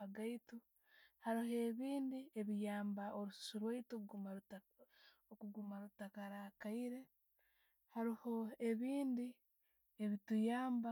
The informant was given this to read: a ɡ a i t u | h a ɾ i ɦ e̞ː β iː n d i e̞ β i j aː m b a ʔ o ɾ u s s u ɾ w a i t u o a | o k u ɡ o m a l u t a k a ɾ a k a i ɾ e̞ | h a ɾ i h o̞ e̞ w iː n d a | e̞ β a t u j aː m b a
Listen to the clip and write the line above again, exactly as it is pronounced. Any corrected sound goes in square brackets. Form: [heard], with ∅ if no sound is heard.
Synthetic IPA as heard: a ɡ a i t u | h a ɾ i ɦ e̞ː β iː n d i e̞ β i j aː m b a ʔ o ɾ u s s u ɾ w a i t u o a | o k u ɡ [u] m a [ɾ] u t a k a ɾ a k a i ɾ e̞ | h a ɾ i h o̞ e̞ [β] iː n d [i] | e̞ β [i] t u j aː m b a